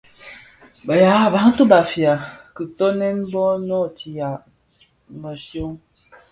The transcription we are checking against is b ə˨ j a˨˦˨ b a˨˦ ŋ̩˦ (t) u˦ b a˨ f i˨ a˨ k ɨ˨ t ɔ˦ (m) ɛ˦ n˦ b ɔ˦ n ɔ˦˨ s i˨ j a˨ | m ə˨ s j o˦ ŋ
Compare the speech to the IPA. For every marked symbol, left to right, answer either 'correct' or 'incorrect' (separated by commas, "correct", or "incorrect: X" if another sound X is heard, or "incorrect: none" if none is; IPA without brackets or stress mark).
correct, incorrect: n